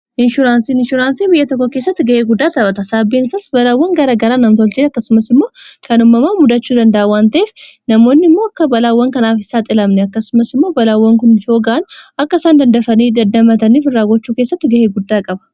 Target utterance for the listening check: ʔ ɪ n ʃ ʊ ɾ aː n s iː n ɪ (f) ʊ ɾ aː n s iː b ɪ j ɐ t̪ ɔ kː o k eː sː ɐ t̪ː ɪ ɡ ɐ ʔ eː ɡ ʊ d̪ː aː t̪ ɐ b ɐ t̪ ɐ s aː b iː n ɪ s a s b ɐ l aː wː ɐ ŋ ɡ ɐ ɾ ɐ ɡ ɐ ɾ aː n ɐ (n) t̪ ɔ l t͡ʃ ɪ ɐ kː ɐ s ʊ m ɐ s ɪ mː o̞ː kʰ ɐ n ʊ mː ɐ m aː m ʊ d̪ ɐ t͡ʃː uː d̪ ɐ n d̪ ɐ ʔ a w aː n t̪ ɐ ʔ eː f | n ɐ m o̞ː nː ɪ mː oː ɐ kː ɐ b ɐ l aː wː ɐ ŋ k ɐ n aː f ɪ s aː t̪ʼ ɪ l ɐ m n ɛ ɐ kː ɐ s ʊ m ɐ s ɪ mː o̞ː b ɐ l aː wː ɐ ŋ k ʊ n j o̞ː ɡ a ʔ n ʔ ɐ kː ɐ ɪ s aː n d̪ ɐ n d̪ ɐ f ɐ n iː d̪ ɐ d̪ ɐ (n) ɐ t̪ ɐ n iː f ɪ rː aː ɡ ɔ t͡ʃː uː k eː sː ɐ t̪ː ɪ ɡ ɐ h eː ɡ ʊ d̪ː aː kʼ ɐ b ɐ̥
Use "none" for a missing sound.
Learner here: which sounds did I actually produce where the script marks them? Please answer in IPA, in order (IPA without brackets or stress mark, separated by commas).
ʃ, m, m